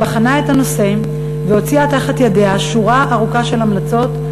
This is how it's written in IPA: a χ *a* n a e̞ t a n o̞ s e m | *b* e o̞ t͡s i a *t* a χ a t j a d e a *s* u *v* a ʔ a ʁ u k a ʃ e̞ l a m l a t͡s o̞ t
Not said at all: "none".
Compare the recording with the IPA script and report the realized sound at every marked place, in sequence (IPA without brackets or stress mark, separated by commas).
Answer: a, v, t, ʃ, ʁ